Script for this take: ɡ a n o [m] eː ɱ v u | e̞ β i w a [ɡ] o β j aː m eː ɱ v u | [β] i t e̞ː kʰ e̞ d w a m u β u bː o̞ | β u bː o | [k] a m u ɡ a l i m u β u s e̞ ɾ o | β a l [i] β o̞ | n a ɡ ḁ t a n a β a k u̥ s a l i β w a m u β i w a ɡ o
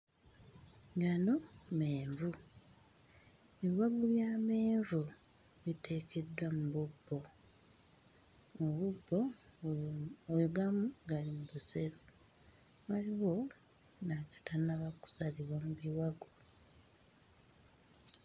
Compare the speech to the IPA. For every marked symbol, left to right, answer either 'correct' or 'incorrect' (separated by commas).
correct, correct, correct, incorrect, correct